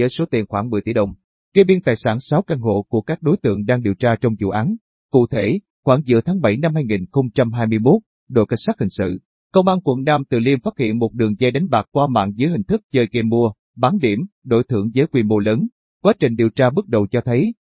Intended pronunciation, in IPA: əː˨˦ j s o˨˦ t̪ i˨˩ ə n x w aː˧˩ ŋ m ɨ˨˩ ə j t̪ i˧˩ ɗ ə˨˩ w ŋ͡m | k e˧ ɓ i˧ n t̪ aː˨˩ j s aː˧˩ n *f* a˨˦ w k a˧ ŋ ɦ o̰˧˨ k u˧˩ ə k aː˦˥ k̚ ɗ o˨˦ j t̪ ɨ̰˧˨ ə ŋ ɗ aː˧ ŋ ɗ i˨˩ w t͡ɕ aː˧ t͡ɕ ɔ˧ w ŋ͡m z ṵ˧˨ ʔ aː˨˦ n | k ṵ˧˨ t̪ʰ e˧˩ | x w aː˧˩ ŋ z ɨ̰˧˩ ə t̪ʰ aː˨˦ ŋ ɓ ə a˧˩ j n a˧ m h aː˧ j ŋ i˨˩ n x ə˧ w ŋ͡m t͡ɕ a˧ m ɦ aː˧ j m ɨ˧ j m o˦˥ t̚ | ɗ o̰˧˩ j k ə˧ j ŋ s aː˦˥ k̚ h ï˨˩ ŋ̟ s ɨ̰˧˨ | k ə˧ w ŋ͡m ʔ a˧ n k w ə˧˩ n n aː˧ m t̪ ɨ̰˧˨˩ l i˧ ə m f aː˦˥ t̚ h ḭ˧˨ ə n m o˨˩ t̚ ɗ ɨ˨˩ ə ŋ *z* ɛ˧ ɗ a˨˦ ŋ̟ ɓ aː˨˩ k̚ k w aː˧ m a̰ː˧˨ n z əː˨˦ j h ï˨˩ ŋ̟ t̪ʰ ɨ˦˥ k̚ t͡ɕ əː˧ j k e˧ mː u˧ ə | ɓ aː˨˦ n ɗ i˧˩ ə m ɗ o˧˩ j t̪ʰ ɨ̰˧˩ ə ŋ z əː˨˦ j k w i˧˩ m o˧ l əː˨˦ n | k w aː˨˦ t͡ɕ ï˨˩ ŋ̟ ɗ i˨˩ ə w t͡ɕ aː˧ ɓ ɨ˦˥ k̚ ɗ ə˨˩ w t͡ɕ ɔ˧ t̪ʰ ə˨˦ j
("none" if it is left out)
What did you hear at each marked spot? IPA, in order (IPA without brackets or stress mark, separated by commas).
s, z